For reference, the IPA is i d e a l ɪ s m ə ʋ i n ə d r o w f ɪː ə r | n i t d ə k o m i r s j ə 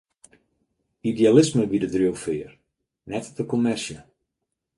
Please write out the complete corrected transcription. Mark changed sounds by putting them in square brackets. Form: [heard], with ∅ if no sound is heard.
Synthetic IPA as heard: i d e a l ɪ s m ə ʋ i [d] ə d r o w f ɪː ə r | n [ɛ] t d ə k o m [ɛ] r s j ə